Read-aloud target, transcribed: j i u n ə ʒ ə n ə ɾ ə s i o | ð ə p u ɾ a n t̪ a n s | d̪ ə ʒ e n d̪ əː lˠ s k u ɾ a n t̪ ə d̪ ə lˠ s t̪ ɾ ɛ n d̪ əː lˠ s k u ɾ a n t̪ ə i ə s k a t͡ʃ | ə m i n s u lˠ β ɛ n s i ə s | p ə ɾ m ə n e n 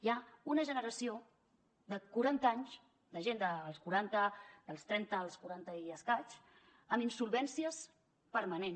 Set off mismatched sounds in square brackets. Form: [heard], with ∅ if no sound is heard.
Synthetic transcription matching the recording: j [a] u n ə ʒ ə n ə ɾ ə s i o | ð ə [k] u ɾ a n t̪ a [ɲ] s | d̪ ə ʒ e n d̪ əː lˠ s k u ɾ a n t̪ ə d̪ ə lˠ s t̪ ɾ ɛ n [t̪] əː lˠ s k u ɾ a n t̪ ə i ə s k a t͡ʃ | ə m i n s u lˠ β ɛ n s i ə s | p ə ɾ m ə n e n